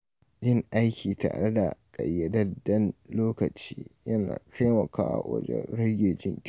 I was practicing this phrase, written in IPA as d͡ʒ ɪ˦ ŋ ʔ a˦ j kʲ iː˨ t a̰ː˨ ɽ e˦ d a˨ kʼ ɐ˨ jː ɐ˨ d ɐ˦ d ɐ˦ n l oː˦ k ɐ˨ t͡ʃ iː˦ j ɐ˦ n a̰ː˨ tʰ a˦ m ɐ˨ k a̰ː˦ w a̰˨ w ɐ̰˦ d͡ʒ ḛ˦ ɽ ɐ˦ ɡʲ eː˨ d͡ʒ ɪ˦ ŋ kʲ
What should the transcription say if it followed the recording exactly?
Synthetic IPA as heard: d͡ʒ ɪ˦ ŋ ʔ a˦ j kʲ iː˨ t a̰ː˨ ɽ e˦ d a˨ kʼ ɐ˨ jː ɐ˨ d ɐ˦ d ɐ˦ n l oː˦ k ɐ˨ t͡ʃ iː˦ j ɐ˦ n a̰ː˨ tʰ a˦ m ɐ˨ k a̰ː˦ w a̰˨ w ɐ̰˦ d͡ʒ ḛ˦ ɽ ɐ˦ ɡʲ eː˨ d͡ʒ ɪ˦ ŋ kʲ